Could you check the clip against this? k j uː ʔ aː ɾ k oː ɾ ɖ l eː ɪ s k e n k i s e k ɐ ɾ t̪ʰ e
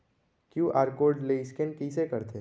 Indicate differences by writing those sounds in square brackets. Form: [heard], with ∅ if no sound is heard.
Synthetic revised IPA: k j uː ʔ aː ɾ k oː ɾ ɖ l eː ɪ s k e n k i s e k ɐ ɾ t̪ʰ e